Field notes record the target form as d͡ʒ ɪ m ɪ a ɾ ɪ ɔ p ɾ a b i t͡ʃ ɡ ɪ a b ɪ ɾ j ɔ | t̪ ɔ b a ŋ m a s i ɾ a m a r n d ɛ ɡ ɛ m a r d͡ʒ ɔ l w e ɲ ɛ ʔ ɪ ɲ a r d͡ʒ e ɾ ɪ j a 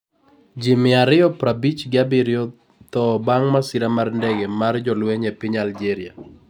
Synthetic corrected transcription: d͡ʒ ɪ m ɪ a ɾ ɪ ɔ p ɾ a b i t͡ʃ ɡ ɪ a b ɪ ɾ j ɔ | t̪ ɔ b a ŋ m a s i ɾ a m a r n d ɛ ɡ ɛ m a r d͡ʒ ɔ l w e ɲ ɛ p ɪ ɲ a l d͡ʒ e ɾ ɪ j a